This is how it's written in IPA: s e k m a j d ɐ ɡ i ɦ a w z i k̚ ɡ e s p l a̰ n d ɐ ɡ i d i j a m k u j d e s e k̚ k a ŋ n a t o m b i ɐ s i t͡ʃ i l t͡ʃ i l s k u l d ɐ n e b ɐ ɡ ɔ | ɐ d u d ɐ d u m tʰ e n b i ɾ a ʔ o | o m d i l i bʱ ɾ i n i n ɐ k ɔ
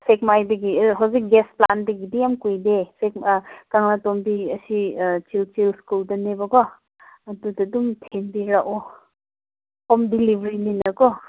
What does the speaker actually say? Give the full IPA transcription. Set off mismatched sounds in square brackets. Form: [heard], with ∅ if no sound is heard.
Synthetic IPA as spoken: s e k m a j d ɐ ɡ i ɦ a w z i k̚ ɡ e s p l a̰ n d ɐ ɡ i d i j a m k u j d e s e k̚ k a ŋ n a t o m b i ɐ s i t͡ʃ i l t͡ʃ i l s k u l d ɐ n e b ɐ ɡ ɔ | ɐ d u d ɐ d u m tʰ e n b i ɾ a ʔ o | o m d i l i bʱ ɾ i n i n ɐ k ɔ